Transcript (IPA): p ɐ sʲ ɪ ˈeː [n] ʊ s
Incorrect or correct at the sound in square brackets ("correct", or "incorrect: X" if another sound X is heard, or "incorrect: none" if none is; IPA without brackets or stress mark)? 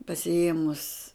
incorrect: m